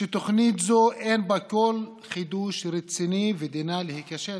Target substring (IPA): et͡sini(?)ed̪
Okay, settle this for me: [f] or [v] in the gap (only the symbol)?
v